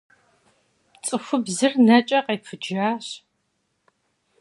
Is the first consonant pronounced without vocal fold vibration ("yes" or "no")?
yes